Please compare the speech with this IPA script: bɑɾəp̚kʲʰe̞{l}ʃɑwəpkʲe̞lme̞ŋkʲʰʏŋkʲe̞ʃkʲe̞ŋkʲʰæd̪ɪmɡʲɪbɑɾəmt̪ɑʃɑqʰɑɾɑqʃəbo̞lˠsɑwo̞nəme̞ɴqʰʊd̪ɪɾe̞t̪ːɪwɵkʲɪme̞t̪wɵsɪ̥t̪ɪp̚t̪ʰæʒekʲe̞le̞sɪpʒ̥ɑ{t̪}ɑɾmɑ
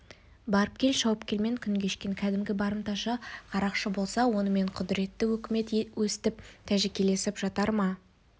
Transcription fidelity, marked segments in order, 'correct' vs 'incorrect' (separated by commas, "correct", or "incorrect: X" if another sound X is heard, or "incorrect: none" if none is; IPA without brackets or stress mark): correct, correct